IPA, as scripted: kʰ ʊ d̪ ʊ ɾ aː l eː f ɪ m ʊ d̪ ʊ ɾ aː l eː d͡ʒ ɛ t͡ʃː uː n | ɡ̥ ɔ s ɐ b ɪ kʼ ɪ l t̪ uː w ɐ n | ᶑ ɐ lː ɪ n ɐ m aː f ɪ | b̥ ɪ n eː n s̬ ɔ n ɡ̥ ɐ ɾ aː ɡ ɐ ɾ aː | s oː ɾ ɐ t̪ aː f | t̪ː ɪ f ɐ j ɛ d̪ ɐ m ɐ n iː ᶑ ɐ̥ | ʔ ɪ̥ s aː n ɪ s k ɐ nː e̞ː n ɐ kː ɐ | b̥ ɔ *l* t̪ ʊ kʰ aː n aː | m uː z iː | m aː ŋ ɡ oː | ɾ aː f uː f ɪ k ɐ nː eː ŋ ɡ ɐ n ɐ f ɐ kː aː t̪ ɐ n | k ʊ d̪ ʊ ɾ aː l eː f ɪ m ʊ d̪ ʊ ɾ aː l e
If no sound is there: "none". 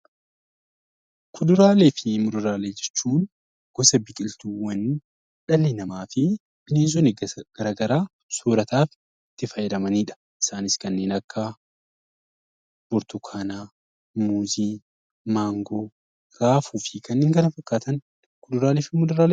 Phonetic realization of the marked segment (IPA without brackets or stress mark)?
ɾ